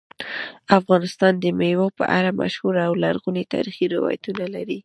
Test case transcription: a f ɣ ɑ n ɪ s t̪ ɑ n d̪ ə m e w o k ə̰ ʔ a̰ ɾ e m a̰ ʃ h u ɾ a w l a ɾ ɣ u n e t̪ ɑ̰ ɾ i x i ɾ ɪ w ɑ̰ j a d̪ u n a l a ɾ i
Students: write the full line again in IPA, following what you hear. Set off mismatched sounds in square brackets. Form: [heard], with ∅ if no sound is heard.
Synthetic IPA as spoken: a f ɣ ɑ n ɪ s t̪ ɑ n d̪ ə m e w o [p] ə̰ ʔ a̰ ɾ [a] m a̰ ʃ h u ɾ a w l a ɾ ɣ u n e t̪ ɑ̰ ɾ i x i ɾ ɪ w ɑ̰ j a [t̪] u n a l a ɾ i

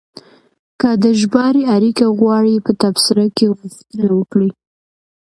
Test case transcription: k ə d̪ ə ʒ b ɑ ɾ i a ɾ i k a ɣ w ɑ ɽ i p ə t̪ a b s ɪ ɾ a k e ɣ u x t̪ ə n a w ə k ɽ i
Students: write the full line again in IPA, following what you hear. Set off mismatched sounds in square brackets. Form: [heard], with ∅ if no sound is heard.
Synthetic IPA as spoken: k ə d̪ ə ʒ b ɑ ɾ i a ɾ i k a ɣ w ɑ ɽ i p ə t̪ a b s ɪ ɾ a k e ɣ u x t̪ ə n a w ə k ɽ i

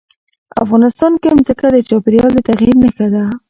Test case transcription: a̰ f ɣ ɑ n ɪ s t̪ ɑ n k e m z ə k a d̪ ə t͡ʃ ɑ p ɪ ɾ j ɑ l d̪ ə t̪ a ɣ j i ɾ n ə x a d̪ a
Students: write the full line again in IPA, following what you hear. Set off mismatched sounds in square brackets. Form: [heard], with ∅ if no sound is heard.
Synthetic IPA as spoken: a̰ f ɣ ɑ n ɪ s t̪ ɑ n k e m z ə k a d̪ ə t͡ʃ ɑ p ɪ ɾ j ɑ l d̪ ə t̪ a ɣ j i ɾ n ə x a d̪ a

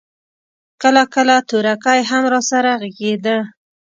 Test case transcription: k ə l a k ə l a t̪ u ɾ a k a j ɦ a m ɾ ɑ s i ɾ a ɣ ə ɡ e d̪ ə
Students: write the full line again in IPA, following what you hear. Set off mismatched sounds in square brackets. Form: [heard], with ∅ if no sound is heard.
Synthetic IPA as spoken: k ə l a k ə l a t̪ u ɾ a k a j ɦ a m ɾ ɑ s [a] ɾ a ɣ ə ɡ e d̪ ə

